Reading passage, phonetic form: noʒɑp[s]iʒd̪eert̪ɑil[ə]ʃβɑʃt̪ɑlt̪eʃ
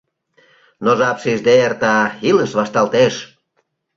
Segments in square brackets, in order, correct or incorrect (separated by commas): incorrect, correct